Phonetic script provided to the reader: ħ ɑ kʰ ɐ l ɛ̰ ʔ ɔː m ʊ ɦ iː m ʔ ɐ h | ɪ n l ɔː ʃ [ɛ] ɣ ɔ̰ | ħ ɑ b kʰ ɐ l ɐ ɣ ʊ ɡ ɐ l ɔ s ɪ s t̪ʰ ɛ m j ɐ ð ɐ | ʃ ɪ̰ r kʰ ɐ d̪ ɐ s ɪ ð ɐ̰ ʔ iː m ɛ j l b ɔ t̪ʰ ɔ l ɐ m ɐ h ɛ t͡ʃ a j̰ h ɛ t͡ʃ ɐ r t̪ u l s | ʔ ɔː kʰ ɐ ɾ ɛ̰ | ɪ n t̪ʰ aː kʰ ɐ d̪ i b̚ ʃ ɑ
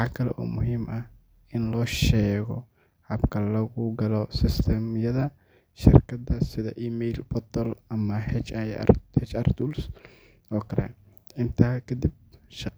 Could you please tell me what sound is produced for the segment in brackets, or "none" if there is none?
ɛː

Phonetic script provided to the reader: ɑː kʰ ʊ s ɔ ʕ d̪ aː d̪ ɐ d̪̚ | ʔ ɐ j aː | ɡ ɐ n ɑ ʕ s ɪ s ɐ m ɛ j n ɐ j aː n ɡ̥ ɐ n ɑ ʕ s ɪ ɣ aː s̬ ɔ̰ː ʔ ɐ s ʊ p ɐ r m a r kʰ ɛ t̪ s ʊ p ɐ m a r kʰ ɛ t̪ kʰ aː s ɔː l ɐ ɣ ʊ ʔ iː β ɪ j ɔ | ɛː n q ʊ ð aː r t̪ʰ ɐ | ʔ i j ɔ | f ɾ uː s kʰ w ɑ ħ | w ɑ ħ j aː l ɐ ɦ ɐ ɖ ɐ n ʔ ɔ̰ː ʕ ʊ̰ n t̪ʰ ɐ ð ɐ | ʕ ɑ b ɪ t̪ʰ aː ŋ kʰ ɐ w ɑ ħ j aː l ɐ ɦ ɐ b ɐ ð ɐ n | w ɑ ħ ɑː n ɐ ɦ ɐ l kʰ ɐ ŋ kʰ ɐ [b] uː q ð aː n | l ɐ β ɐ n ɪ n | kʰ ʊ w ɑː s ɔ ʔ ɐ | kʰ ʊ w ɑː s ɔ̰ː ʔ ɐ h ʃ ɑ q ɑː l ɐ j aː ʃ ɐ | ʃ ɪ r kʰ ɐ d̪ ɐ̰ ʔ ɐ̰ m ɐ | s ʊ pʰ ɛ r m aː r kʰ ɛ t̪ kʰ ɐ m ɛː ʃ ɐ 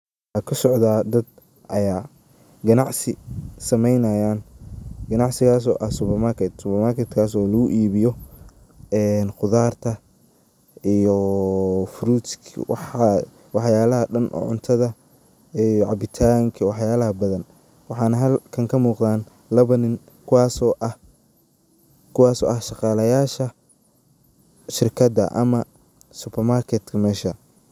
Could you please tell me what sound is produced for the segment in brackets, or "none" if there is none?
m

